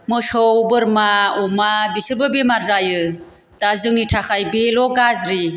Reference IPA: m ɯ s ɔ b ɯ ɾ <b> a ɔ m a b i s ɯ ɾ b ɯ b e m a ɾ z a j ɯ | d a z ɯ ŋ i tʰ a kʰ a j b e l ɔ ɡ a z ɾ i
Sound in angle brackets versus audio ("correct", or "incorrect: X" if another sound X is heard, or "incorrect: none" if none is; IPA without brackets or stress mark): incorrect: m